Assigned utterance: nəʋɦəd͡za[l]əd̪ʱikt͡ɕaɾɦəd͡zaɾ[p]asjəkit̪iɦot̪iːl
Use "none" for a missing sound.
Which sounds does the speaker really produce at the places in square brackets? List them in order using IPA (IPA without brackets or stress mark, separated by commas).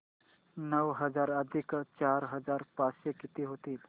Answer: ɾ, p